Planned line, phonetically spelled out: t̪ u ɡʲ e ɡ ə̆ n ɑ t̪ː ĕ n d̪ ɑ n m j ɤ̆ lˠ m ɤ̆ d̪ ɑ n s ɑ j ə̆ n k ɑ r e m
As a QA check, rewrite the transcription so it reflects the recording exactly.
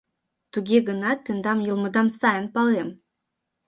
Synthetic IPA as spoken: t̪ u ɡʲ e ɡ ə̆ n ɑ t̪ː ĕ n d̪ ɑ m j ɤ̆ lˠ m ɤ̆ d̪ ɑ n s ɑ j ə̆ n p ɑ l e m